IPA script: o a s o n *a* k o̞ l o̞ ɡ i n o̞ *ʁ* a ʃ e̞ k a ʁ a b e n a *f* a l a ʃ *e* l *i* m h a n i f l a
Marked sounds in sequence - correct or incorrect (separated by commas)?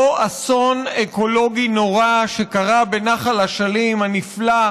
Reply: incorrect, correct, incorrect, incorrect, correct